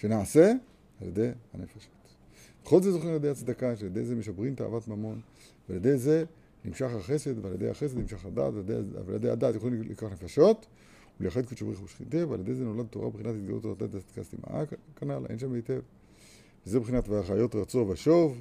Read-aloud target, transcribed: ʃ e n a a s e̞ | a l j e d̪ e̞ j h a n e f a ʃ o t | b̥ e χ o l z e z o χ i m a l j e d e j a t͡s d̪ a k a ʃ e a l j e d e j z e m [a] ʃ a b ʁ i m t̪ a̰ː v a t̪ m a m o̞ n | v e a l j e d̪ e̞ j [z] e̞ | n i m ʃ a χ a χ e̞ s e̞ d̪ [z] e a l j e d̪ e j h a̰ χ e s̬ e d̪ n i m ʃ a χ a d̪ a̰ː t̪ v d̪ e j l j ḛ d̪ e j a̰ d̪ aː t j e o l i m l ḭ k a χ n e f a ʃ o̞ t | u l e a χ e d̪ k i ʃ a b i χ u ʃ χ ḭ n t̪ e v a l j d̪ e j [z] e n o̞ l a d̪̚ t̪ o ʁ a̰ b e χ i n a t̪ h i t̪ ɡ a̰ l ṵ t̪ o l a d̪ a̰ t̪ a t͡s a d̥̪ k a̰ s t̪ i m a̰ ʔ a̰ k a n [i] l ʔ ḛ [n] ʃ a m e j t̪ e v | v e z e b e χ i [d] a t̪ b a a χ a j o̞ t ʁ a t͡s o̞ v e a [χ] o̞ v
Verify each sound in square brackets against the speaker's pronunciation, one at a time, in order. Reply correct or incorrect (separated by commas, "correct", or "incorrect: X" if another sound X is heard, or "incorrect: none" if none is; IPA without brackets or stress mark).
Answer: incorrect: e, correct, incorrect: v, correct, incorrect: a, correct, incorrect: n, incorrect: ʃ